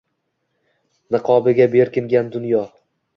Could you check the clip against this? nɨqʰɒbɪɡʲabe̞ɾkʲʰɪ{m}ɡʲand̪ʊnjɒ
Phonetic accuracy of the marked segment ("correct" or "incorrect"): incorrect